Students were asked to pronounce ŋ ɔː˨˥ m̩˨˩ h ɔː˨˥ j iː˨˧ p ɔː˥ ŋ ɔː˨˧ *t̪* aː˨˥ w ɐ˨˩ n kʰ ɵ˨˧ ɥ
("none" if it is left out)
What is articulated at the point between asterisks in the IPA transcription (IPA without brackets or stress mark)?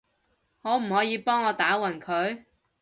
t̪